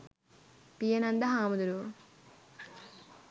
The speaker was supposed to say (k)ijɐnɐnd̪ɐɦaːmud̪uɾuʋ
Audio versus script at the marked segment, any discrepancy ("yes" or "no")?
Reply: yes